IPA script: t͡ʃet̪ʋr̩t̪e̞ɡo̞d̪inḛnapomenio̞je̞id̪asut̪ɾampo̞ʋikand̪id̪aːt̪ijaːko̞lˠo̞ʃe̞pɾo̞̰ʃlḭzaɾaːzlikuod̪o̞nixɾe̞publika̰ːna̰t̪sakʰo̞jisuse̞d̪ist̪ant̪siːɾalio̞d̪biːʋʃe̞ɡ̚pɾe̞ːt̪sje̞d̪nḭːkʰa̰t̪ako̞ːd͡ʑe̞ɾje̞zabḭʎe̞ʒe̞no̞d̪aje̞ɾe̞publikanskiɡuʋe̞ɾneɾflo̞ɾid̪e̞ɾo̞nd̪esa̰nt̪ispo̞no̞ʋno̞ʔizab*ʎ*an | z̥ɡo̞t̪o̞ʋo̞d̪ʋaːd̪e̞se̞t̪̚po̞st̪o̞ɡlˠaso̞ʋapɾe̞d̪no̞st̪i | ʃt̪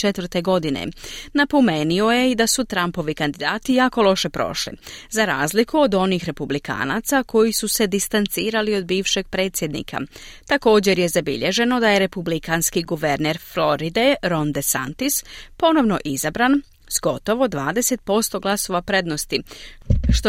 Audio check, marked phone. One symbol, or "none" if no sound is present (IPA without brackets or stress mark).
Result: ɾ